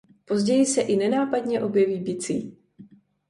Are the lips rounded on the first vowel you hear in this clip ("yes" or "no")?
yes